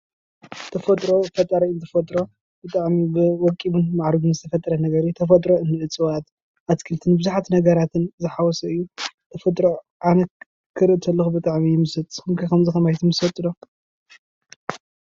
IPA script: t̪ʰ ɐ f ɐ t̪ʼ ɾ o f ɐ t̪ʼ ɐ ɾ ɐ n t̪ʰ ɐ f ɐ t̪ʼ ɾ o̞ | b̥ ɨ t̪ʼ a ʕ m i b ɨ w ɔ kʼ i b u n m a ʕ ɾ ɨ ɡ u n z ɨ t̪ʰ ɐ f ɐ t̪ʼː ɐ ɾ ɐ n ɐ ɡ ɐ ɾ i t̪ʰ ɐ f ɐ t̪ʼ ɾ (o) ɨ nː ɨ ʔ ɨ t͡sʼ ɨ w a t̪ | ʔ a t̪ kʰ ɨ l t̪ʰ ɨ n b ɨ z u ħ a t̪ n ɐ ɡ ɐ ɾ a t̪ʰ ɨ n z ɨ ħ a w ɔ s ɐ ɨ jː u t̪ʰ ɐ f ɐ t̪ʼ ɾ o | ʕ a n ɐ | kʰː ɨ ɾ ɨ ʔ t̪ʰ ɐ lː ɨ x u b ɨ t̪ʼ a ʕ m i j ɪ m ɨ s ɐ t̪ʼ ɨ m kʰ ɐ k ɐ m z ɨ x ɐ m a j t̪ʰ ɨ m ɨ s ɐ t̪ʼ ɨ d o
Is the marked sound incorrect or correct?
correct